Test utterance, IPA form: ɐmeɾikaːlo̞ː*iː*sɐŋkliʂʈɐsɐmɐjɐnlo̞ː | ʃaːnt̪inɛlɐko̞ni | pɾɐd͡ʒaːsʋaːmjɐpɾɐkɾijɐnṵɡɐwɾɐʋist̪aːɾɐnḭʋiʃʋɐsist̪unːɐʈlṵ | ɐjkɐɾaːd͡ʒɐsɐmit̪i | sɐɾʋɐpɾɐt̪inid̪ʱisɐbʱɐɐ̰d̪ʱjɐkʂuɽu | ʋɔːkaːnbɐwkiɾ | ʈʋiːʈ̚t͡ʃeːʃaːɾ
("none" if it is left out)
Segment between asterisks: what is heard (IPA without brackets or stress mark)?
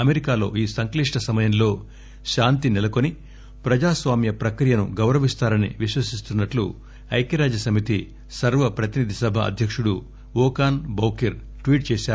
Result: iː